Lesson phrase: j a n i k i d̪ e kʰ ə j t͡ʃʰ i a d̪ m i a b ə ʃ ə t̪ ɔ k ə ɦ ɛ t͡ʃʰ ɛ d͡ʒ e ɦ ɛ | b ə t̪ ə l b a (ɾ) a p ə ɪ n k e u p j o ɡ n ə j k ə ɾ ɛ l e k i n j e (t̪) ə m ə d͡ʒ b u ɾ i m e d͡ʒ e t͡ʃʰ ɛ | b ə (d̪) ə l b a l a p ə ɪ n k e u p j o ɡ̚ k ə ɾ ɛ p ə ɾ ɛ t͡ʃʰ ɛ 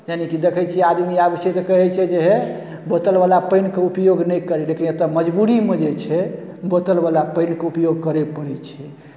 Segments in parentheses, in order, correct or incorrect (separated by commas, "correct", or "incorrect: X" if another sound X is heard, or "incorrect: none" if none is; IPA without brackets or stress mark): incorrect: l, correct, incorrect: t̪